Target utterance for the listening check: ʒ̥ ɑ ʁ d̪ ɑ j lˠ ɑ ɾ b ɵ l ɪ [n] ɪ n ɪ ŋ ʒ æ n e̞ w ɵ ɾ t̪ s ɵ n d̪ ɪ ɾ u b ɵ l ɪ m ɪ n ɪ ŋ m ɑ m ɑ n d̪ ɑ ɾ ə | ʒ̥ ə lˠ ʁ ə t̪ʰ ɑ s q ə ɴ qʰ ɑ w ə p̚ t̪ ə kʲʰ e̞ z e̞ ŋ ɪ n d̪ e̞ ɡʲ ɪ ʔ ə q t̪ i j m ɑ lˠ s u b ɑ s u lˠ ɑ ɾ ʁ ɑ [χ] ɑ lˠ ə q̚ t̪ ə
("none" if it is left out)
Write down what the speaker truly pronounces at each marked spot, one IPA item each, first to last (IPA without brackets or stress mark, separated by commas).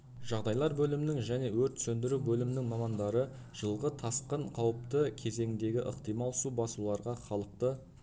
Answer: m, χ